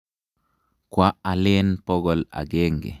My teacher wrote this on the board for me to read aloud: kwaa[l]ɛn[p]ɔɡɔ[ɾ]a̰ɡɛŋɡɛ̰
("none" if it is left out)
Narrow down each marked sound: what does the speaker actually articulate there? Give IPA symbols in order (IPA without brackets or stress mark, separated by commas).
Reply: l, p, l